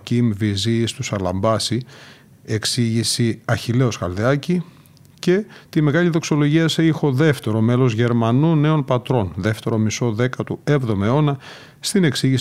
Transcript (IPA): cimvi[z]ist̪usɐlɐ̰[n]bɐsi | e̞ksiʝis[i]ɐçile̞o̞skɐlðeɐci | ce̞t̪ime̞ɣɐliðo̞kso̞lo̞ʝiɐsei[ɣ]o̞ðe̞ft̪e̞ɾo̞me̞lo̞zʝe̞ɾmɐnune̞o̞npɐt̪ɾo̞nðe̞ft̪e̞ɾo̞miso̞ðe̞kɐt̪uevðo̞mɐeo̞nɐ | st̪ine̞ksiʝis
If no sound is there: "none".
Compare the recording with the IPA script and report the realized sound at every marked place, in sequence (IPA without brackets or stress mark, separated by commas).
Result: z, m, i, x